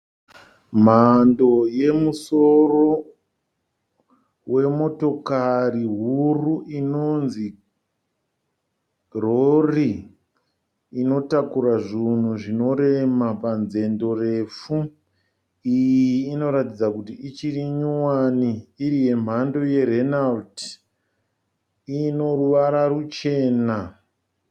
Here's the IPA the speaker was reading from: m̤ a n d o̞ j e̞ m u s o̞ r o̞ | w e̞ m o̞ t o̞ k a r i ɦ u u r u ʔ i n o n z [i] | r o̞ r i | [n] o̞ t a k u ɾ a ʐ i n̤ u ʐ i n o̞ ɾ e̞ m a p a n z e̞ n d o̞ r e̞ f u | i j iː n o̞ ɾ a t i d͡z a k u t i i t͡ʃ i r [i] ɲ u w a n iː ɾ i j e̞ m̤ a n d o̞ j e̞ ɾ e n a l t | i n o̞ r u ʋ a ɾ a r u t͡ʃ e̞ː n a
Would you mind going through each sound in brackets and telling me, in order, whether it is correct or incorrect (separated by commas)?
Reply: correct, correct, correct